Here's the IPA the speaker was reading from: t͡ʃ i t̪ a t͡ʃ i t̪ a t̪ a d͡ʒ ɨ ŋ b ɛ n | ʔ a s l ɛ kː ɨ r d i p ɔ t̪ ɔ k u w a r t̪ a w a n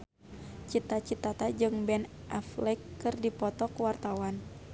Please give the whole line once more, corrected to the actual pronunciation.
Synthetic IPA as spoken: t͡ʃ i t̪ a t͡ʃ i t̪ a t̪ a d͡ʒ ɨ ŋ b ɛ n | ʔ a f l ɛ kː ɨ r d i p ɔ t̪ ɔ k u w a r t̪ a w a n